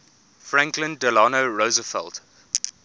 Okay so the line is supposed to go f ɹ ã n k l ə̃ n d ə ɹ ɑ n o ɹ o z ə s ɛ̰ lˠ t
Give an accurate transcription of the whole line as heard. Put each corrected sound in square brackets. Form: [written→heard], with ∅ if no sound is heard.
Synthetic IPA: f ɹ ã [n→ŋ] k l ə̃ n d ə [ɹ→l] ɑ n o ɹ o z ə [s→f] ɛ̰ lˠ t